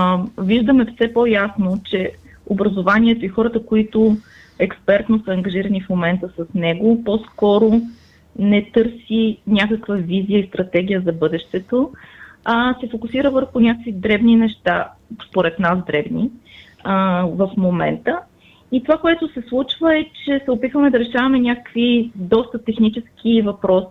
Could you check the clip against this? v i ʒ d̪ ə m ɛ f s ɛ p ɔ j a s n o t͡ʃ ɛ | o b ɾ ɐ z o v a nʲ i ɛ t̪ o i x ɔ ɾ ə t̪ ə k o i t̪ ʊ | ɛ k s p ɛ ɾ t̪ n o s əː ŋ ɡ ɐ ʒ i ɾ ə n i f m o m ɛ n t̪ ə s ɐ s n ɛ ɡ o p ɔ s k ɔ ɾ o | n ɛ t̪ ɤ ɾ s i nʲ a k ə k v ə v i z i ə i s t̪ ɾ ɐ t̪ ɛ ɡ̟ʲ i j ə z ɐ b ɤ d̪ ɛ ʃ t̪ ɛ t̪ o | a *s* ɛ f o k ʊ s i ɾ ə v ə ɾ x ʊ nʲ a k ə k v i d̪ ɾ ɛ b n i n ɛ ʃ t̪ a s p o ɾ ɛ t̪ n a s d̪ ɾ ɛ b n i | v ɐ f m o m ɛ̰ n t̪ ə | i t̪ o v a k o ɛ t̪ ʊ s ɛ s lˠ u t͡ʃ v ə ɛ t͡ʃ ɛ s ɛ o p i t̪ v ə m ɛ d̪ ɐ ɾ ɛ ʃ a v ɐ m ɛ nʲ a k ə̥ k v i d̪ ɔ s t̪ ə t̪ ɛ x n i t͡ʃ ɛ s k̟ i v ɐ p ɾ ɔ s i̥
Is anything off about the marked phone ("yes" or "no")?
no